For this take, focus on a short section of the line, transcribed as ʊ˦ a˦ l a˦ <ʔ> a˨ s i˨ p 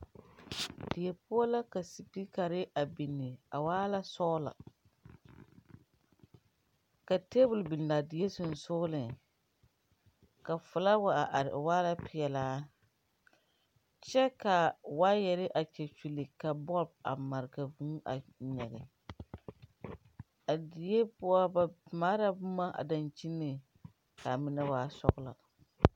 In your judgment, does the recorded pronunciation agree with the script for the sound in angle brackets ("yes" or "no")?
no